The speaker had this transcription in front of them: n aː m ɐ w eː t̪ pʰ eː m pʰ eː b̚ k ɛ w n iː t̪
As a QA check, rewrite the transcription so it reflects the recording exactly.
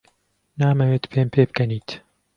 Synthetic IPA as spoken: n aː m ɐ w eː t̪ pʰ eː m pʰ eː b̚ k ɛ n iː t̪